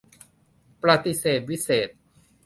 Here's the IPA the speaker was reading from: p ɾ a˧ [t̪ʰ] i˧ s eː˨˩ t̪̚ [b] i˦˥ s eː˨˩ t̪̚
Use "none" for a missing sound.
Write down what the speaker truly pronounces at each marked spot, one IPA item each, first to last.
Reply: t̪, w

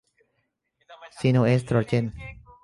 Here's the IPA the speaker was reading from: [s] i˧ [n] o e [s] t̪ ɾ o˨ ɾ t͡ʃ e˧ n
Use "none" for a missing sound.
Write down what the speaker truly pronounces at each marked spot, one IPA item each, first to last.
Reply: s, n, s

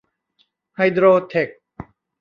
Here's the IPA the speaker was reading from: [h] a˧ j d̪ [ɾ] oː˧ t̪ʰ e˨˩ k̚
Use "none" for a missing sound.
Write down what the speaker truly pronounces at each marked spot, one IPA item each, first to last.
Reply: h, ɾ

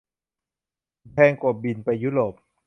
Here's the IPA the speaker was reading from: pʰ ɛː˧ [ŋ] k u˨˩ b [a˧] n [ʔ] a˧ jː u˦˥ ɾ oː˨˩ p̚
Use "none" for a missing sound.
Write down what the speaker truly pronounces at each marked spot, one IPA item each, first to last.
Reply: ŋ, i˧, p

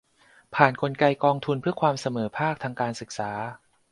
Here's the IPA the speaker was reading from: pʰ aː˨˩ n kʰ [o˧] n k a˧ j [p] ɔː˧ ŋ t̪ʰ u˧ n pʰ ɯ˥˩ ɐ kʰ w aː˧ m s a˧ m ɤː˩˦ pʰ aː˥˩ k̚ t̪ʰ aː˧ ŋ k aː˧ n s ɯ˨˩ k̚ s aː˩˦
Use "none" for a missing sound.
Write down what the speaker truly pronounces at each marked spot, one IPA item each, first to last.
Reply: o˧, k

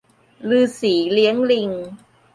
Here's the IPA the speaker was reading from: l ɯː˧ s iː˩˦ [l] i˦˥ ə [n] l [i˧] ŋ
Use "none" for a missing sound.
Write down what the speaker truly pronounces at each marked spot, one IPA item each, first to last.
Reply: l, ŋ, i˧

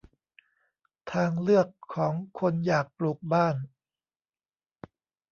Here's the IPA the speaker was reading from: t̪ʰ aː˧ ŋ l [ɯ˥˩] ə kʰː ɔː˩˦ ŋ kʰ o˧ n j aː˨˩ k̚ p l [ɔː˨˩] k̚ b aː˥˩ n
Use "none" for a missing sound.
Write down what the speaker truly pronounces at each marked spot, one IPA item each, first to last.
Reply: ɯ˥˩, uː˨˩

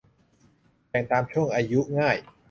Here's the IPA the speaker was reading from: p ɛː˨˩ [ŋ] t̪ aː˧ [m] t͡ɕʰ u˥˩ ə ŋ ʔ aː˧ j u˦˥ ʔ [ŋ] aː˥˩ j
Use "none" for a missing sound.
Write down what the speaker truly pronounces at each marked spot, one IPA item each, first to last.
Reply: ŋ, m, ŋ

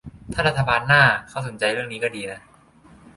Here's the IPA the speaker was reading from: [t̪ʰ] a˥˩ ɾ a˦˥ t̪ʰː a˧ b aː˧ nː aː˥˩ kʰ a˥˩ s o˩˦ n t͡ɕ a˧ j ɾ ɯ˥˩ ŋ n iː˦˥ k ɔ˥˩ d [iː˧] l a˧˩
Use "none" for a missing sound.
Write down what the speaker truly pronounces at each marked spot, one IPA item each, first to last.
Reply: t̪ʰ, iː˧

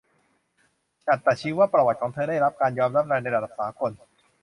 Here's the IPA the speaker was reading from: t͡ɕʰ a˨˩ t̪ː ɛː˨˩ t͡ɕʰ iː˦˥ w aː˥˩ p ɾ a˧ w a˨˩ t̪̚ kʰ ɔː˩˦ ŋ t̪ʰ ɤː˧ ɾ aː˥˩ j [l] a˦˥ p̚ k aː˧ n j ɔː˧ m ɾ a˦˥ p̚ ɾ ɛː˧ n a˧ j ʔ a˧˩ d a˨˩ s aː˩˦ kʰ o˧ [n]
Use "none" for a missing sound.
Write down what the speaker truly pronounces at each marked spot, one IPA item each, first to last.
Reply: ɾ, n

